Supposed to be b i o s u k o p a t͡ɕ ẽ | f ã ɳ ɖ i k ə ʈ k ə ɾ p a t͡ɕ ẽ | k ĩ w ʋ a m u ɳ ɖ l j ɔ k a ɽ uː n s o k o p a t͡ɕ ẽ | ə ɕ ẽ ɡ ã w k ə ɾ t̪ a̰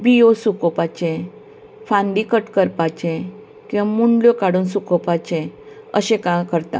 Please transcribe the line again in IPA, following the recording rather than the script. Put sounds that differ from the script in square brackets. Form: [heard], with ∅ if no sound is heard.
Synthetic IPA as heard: b i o s u k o p a t͡ɕ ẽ | f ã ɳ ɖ i k ə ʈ k ə ɾ p a t͡ɕ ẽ | k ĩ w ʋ a m u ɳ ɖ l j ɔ k a ɽ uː n s [u] k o p a t͡ɕ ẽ | ə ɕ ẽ [k] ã [∅] k ə ɾ t̪ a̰